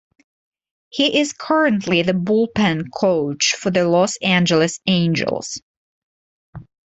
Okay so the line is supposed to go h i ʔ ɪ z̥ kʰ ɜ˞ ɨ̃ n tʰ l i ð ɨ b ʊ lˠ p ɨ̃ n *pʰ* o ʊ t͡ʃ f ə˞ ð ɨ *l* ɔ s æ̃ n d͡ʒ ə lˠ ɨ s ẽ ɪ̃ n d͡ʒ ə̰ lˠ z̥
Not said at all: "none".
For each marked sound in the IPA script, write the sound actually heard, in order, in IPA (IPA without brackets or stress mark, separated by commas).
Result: kʰ, l